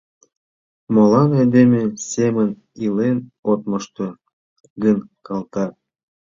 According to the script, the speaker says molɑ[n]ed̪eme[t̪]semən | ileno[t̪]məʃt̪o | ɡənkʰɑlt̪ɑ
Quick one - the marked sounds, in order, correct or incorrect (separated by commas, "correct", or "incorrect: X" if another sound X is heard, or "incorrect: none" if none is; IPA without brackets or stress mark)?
correct, incorrect: none, correct